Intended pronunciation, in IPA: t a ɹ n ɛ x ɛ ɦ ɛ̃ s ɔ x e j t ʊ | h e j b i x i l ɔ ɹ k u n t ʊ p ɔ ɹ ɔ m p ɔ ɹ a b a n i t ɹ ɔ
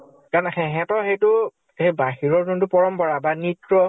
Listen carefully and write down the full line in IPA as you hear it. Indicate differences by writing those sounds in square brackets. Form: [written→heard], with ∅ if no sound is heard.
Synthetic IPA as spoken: [t→k] a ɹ n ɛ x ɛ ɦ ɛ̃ [s→t] ɔ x e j t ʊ | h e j b [i→a] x i [l→ɹ] ɔ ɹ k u n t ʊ p ɔ ɹ ɔ m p ɔ ɹ a b a n i t ɹ ɔ